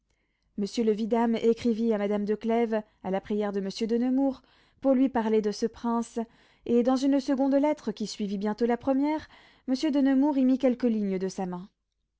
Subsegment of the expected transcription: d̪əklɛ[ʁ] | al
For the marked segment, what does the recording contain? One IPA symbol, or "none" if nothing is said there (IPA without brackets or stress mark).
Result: v